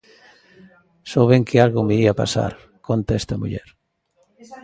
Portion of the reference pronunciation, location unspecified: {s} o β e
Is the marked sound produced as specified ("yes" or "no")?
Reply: yes